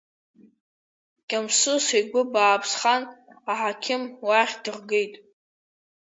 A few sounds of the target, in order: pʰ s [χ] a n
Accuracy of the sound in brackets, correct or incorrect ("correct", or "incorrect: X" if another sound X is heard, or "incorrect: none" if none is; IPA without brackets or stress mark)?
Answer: correct